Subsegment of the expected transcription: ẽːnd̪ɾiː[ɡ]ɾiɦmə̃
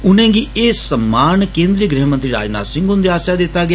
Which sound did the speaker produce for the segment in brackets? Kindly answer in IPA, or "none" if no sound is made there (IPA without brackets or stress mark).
ɡ